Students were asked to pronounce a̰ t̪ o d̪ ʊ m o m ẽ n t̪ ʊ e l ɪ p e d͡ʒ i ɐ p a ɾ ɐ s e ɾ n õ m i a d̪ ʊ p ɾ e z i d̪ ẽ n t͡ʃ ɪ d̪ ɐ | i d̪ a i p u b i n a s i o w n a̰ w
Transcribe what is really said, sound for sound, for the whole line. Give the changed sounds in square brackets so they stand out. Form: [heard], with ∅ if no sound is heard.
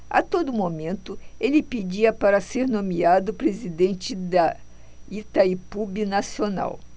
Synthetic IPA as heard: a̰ t̪ o d̪ ʊ m o m ẽ n t̪ ʊ e l ɪ p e d͡ʒ i ɐ p a ɾ ɐ s e ɾ n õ m i a d̪ ʊ p ɾ e z i d̪ ẽ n t͡ʃ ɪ d̪ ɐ | i [t̪] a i p u b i n a s i o [∅] n a̰ w